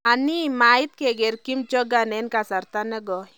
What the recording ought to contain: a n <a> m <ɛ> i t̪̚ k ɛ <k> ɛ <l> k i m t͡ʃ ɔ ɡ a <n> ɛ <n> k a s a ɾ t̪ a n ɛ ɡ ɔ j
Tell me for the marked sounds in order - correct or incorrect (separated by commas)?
incorrect, incorrect, incorrect, incorrect, correct, correct